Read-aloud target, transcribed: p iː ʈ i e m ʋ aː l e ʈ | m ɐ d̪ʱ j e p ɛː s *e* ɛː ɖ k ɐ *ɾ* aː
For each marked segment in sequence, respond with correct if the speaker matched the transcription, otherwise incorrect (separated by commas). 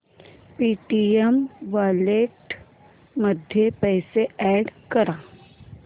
correct, correct